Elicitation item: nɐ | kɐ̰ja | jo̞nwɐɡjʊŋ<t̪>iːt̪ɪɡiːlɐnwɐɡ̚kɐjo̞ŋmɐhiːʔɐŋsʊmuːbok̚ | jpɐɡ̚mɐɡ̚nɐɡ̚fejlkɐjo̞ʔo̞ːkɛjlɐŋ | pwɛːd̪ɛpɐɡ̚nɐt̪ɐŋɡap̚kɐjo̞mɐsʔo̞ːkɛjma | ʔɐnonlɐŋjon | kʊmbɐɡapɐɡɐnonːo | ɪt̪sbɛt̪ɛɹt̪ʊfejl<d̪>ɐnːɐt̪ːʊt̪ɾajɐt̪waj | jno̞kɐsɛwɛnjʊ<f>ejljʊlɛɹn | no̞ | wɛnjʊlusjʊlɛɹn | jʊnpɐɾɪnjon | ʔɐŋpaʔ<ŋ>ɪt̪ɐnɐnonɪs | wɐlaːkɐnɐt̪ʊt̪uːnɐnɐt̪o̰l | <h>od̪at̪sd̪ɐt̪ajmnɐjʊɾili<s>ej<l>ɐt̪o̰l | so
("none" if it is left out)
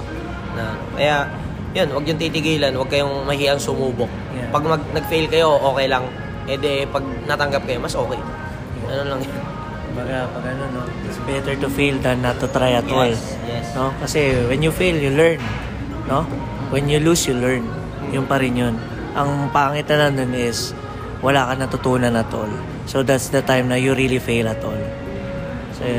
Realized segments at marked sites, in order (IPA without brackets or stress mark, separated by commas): t̪, d̪, f, ŋ, s, f, l